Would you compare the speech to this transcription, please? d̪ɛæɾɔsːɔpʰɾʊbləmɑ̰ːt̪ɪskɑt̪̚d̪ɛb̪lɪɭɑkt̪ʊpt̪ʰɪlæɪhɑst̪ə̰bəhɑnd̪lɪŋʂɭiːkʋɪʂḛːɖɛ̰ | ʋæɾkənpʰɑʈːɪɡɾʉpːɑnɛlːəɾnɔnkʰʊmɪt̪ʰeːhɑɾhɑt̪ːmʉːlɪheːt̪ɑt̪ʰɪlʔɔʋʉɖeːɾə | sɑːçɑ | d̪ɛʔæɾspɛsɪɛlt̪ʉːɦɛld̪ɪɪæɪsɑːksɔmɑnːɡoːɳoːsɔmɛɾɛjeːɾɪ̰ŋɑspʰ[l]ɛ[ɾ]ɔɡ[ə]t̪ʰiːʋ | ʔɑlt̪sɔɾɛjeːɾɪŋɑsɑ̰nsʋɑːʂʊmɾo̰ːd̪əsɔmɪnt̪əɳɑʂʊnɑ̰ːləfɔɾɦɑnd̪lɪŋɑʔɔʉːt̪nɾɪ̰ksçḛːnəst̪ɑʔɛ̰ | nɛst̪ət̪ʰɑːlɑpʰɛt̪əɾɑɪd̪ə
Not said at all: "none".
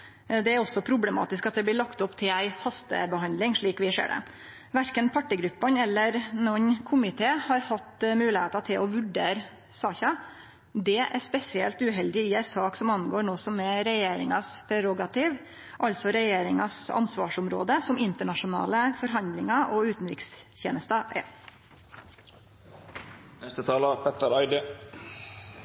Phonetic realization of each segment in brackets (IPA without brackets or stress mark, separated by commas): ɾ, ɾ, ɑ